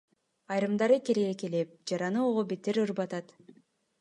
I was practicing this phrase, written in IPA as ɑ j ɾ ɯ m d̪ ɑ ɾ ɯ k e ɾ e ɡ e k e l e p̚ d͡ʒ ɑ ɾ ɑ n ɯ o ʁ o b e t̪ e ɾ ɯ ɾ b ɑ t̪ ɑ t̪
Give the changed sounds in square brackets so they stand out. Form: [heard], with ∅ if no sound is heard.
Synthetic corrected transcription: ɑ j ɾ ɯ m d̪ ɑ ɾ ɯ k e ɾ e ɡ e k e l e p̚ d͡ʒ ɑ ɾ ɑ n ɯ o ʁ o b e t̪ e ɾ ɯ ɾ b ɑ t̪ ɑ t̪

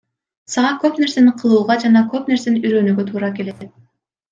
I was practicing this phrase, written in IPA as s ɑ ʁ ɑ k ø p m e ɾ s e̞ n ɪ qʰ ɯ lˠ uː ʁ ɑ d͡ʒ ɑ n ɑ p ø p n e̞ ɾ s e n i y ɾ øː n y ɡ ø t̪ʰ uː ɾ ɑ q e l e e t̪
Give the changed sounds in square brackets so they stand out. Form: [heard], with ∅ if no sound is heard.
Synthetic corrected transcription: s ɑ ʁ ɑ k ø p [n] e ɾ s e̞ n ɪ qʰ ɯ lˠ uː ʁ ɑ d͡ʒ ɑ n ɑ [k] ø p n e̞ ɾ s e n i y ɾ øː n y ɡ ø t̪ʰ uː ɾ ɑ [k] e l e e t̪

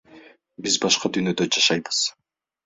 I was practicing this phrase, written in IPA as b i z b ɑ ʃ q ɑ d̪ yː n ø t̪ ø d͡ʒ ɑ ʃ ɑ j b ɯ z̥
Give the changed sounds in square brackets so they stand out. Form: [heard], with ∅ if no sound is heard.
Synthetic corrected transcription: b i z b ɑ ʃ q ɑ d̪ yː n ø [d̪] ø d͡ʒ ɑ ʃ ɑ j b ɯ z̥

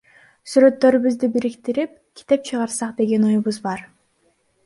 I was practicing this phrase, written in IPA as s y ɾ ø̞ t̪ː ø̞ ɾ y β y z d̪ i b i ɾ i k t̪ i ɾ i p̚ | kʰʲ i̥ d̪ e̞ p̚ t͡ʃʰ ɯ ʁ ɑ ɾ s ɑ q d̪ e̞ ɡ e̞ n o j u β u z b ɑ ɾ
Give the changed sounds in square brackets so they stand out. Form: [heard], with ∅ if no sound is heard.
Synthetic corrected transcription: s y ɾ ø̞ t̪ː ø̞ ɾ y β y z d̪ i b i ɾ i k t̪ i ɾ i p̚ | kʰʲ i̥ [t̪] e̞ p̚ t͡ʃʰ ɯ ʁ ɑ ɾ s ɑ q d̪ e̞ ɡ e̞ n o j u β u z b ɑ ɾ

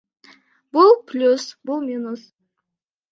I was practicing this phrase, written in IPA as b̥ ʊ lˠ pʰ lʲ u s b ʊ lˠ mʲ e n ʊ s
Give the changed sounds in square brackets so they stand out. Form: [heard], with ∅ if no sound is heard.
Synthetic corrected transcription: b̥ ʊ lˠ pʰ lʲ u s b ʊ lˠ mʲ [i] n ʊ s

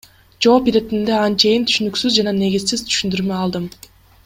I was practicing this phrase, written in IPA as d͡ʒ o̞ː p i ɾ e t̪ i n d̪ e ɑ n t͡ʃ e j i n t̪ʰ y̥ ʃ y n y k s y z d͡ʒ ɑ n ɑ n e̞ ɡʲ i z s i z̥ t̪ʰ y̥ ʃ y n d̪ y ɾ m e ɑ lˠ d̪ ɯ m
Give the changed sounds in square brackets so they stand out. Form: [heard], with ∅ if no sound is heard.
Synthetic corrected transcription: d͡ʒ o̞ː p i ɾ e t̪ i n d̪ e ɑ n t͡ʃ e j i n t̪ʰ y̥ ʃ y n y k s y z d͡ʒ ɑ n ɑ n e̞ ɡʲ i z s i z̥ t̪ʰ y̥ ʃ y n d̪ y ɾ m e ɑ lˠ d̪ ɯ m

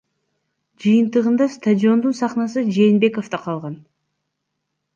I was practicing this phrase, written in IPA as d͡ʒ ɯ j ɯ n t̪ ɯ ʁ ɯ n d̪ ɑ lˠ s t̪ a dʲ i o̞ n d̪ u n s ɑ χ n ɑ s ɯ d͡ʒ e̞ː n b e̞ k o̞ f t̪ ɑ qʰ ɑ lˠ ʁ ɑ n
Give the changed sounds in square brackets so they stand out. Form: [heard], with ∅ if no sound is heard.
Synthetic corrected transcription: d͡ʒ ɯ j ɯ n t̪ ɯ ʁ ɯ n d̪ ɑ [∅] s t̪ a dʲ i o̞ n d̪ u n s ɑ χ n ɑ s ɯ d͡ʒ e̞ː n b e̞ k o̞ f t̪ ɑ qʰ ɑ lˠ ʁ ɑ n

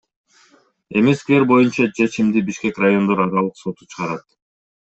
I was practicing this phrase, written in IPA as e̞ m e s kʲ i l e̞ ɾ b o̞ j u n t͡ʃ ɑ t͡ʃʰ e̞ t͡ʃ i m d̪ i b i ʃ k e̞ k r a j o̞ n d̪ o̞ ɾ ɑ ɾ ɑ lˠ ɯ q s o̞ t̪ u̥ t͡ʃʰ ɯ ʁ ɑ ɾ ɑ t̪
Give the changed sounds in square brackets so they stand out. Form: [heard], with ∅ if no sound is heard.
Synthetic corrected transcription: e̞ m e s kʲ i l e̞ ɾ b o̞ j u n t͡ʃ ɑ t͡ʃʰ e̞ t͡ʃ i m d̪ i b i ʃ k e̞ k r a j o̞ n d̪ o̞ ɾ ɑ ɾ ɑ lˠ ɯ q s o̞ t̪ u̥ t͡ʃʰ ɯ ʁ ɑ ɾ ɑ t̪

